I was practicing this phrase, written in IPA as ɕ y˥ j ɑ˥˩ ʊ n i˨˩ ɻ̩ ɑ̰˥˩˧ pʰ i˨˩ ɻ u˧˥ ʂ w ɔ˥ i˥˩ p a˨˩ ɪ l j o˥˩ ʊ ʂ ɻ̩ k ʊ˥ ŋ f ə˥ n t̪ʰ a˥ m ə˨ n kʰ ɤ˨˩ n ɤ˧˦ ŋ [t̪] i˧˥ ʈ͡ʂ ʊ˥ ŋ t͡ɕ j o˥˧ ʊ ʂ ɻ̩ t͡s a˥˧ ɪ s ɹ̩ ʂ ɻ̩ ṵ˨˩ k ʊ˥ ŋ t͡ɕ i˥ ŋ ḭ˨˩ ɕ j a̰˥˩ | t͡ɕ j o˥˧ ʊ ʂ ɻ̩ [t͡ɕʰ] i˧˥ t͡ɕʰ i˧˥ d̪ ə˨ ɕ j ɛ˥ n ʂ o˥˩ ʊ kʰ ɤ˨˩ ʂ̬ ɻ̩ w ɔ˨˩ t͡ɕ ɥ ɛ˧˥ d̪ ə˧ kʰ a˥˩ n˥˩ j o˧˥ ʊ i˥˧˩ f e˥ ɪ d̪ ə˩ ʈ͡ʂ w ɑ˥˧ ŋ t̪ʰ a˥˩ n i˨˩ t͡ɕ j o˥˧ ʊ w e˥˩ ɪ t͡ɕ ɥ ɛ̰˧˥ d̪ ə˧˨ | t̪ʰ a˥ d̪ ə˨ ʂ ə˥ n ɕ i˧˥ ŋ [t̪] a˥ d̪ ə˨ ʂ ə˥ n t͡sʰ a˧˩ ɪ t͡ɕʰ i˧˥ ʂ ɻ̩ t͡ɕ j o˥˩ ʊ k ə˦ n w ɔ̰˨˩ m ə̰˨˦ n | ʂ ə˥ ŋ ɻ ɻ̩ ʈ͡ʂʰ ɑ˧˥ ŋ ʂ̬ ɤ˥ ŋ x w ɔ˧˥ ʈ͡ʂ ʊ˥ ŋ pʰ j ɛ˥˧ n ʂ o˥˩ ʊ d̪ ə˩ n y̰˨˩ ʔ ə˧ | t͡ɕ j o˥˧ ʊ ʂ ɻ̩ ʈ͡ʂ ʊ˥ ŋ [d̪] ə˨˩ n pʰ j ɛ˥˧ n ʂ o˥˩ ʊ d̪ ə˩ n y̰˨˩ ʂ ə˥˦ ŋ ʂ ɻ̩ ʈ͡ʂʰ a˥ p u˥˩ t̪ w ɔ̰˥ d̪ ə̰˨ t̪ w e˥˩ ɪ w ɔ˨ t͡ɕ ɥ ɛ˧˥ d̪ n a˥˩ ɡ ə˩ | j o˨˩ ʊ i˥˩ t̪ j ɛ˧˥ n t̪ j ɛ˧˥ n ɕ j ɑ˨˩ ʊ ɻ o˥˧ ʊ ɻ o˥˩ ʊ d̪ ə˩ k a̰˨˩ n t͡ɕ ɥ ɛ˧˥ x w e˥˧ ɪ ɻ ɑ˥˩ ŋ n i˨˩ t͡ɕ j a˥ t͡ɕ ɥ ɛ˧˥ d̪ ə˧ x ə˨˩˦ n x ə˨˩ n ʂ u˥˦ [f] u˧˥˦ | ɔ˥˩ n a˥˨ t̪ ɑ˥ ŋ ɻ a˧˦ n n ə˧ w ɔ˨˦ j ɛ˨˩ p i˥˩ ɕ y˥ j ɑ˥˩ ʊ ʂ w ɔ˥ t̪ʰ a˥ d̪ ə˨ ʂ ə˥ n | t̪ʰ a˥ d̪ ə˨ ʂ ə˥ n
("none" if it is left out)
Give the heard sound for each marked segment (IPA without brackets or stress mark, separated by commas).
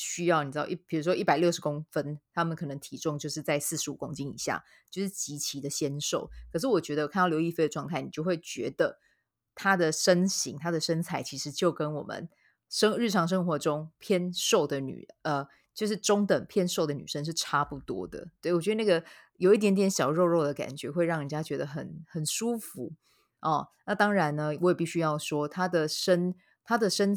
t̪ʰ, t͡ɕ, t̪ʰ, t̪, f